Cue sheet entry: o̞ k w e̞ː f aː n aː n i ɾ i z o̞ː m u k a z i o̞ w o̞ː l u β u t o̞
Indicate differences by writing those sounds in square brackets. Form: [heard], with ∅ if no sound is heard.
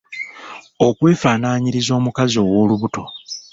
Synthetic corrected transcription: o̞ k w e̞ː f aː n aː [ɲ] i ɾ i z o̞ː m u k a z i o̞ w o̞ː l u β u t o̞